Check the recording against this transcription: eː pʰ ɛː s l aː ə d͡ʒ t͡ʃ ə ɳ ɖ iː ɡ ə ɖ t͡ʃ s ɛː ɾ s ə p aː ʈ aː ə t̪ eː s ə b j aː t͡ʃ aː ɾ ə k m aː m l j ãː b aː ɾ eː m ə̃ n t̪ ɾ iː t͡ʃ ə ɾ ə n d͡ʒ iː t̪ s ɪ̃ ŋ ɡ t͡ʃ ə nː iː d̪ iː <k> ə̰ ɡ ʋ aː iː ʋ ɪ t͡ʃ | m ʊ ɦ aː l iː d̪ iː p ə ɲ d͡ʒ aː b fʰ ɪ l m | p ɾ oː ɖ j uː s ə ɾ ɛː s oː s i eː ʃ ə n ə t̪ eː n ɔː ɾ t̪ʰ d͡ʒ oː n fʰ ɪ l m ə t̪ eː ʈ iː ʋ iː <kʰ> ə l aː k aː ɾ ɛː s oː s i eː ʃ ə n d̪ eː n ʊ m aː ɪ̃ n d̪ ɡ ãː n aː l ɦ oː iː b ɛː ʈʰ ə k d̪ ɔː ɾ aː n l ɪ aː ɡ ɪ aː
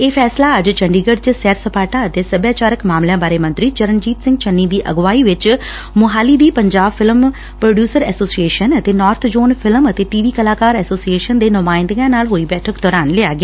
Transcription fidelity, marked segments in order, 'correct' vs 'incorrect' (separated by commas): incorrect, incorrect